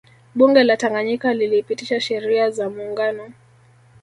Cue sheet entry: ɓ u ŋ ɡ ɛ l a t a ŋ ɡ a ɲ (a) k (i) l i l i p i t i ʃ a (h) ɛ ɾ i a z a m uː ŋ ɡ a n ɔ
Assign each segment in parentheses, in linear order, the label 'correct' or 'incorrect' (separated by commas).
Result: incorrect, incorrect, incorrect